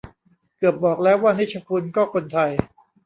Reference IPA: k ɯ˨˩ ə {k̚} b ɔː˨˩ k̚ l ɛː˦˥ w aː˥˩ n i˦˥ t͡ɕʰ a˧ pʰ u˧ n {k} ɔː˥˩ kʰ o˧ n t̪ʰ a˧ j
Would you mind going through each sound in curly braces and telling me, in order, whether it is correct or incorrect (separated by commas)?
incorrect, correct